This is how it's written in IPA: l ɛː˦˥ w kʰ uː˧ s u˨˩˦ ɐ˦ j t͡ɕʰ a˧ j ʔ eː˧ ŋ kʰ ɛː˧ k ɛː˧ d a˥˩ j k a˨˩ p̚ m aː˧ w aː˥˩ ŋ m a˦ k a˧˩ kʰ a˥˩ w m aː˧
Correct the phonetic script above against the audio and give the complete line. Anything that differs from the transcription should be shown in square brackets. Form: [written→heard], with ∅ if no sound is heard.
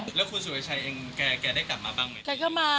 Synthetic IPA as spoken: l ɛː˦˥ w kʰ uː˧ s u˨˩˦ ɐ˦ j t͡ɕʰ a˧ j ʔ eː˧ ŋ [kʰ→k] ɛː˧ k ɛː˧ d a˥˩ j k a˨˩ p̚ m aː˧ [w→b] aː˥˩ ŋ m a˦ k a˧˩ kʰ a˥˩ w m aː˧